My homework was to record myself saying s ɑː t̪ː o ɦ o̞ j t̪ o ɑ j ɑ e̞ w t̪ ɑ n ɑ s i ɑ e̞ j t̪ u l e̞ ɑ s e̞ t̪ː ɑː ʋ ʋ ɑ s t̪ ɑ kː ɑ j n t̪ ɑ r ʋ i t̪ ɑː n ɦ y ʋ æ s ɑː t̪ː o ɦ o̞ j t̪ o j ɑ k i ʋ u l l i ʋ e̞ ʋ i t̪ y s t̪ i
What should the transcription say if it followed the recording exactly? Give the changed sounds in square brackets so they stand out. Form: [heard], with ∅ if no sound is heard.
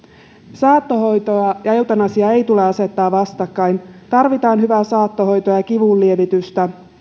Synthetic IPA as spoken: s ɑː t̪ː o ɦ o̞ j t̪ o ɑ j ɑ e̞ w t̪ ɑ n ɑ s i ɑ e̞ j t̪ u l e̞ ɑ s e̞ t̪ː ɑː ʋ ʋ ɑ s t̪ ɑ kː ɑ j n t̪ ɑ r ʋ i t̪ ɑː n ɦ y ʋ æ s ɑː t̪ː o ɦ o̞ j t̪ o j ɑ k i ʋ u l l i [∅] e̞ ʋ i t̪ y s t̪ [æ]